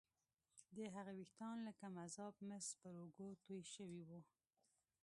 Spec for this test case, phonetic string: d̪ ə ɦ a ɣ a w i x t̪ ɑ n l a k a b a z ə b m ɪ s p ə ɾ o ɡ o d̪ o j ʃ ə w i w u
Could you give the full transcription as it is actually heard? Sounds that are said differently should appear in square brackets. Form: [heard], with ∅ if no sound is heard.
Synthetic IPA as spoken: d̪ ə ɦ a ɣ a w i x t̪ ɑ n l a k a [m] a z [ɑ] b m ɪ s p ə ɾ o ɡ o [t̪] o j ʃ ə w i w u

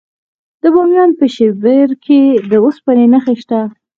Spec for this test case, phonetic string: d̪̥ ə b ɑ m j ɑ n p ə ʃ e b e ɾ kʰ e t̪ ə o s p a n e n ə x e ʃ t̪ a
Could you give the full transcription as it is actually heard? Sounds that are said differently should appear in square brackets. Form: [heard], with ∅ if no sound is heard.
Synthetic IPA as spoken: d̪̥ ə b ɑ m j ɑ n p ə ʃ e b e ɾ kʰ e [d̪] ə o s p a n e n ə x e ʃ t̪ a

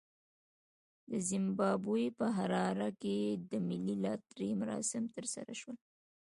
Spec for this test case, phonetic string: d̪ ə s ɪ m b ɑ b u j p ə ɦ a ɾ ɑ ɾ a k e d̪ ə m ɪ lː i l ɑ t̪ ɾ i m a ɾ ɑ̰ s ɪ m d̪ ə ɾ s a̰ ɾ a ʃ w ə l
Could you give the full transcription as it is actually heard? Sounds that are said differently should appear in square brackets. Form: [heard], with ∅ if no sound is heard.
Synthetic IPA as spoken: d̪ ə [z] ɪ m b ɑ b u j p ə ɦ a ɾ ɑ ɾ a k e d̪ ə m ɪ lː i l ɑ t̪ ɾ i m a ɾ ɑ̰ s ɪ m [t̪] ə ɾ s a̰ ɾ a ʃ w ə l

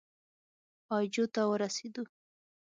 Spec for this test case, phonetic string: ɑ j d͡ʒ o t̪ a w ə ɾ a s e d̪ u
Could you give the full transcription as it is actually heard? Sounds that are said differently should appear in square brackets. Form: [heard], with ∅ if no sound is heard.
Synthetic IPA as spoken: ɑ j d͡ʒ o t̪ a w ə ɾ a s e d̪ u

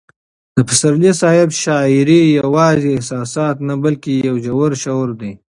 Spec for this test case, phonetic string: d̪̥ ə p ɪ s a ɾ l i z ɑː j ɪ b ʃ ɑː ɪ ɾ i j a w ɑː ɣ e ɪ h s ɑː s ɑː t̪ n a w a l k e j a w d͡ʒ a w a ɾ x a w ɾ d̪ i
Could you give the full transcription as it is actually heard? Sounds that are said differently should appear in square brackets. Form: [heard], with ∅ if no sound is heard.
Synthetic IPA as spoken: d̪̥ ə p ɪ s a ɾ l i [s] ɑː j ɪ b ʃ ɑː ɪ ɾ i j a w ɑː [z] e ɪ h s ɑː s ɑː t̪ n a [b] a l k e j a w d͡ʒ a w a ɾ [ʃ] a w ɾ d̪ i

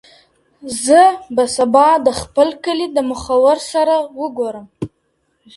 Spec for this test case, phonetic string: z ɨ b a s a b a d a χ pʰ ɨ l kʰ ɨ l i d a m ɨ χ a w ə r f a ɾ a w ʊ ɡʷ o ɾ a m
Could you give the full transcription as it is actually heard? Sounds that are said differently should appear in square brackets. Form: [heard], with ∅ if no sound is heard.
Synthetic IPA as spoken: z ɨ b a s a b a d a χ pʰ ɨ l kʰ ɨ l i d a m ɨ χ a w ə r [s] a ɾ a w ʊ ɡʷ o ɾ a m

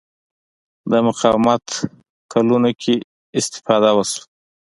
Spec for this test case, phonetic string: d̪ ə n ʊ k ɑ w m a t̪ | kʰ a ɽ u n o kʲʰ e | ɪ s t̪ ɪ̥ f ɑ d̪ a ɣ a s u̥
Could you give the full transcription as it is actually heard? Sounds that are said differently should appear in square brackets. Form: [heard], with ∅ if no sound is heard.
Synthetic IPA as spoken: d̪ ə [m] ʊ [q] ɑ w m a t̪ | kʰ a [l] u n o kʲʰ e | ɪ s t̪ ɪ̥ f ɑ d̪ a [w] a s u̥

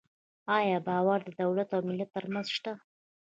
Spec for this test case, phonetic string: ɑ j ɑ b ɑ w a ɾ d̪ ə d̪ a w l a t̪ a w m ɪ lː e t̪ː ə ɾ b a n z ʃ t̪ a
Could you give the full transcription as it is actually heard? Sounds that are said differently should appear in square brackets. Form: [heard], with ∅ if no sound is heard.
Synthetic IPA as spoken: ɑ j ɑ b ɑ w a ɾ d̪ ə d̪ a w l a t̪ a w m ɪ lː [a] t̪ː ə ɾ [m] a n z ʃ t̪ a

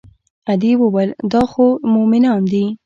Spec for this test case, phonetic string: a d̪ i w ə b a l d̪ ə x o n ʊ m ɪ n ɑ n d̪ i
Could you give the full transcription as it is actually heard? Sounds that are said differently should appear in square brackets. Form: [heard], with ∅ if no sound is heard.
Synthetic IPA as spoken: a d̪ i w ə [w] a l d̪ [ɑ] x o [m] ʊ m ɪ n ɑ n d̪ i

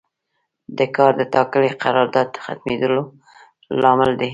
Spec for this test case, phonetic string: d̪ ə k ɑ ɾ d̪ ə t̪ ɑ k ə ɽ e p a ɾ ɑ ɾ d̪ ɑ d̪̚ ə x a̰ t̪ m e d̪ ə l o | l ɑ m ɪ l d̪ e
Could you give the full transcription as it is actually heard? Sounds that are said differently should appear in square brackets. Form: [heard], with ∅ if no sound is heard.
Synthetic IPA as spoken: d̪ ə k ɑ ɾ d̪ ə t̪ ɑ k ə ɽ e [q] a ɾ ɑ ɾ d̪ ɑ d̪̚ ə x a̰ t̪ m e d̪ ə l o | l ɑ m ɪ l d̪ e

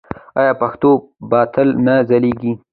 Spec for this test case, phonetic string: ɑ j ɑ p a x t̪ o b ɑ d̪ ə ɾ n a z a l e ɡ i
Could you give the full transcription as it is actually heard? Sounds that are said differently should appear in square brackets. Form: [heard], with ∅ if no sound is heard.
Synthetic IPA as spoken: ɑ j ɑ p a x t̪ o b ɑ [t̪] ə [l] n a z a l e ɡ i

